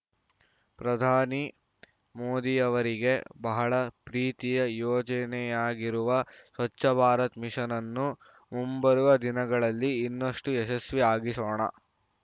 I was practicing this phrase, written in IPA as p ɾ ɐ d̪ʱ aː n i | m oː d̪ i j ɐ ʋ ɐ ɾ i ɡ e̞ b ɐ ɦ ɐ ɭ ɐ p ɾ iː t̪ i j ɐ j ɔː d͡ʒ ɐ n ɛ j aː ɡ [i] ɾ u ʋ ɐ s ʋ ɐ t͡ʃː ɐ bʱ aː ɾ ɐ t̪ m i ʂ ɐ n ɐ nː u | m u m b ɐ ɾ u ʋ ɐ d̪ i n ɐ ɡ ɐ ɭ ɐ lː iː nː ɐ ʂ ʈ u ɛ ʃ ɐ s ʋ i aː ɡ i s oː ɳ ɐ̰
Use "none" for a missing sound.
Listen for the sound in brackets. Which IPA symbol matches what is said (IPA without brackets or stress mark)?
i